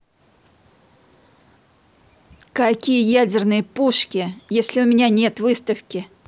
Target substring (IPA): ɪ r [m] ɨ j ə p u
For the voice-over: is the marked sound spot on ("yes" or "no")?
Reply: no